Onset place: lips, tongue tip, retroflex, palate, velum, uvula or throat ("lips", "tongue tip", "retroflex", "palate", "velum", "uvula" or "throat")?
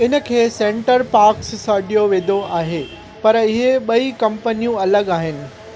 tongue tip